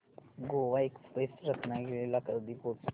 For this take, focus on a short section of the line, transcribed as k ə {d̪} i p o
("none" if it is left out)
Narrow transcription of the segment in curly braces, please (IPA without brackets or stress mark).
d̪